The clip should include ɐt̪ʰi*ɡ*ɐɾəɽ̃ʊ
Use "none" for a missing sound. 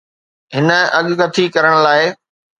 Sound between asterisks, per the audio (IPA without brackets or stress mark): k